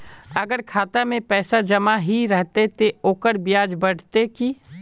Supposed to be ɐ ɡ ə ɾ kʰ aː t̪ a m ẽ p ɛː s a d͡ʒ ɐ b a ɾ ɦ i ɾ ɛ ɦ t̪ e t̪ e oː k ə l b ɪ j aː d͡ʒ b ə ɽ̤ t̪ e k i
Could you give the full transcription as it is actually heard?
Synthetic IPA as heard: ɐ ɡ ə ɾ kʰ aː t̪ a m ẽ p ɛː s a d͡ʒ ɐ m a ɦ i ɾ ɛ ɦ t̪ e t̪ e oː k ə ɾ b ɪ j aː d͡ʒ b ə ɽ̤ t̪ e k i